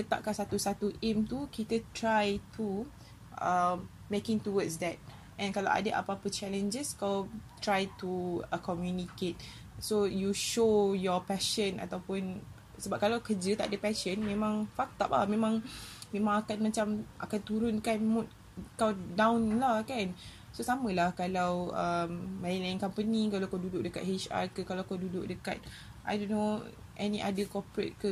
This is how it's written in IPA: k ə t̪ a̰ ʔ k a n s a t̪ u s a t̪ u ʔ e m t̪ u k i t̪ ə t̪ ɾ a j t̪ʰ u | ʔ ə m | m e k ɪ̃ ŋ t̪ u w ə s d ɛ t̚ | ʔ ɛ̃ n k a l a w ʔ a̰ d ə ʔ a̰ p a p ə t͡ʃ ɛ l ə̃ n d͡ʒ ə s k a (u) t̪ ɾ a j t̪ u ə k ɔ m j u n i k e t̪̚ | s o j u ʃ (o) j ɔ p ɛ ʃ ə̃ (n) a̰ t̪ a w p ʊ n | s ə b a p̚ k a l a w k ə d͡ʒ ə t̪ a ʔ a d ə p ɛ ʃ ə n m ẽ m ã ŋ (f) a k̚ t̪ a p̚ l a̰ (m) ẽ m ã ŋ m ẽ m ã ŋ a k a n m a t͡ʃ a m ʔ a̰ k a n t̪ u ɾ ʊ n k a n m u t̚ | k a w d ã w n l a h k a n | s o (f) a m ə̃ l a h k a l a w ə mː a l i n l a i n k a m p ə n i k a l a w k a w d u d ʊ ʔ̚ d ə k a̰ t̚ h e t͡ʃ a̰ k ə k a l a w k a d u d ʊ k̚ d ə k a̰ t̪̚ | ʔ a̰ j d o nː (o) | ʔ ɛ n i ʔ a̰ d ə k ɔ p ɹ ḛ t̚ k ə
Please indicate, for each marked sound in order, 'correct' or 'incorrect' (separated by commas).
incorrect, correct, correct, correct, correct, incorrect, correct